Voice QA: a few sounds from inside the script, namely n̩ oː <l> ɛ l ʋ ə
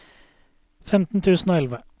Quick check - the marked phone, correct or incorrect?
incorrect